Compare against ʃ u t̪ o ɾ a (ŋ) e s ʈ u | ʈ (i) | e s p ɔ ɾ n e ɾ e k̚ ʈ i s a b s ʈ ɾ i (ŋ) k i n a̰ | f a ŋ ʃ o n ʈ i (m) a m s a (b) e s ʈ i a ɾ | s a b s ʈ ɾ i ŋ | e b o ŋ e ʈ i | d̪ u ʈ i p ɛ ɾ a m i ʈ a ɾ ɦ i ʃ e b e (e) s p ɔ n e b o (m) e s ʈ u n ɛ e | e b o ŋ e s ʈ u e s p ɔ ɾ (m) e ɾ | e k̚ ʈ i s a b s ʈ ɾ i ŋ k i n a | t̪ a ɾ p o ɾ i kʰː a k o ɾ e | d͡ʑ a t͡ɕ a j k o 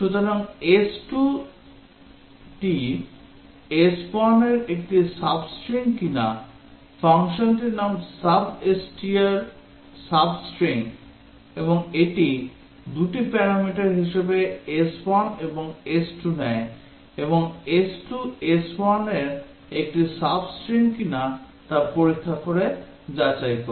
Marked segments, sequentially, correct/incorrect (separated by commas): correct, correct, correct, incorrect, correct, correct, incorrect, incorrect